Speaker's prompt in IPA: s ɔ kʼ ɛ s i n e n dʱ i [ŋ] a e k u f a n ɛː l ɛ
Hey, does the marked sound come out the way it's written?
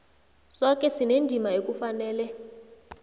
no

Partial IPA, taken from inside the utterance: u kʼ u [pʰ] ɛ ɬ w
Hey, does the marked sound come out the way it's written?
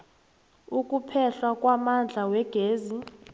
yes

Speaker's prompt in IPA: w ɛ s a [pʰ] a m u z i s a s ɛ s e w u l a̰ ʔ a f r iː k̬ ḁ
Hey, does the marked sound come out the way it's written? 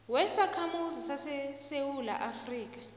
no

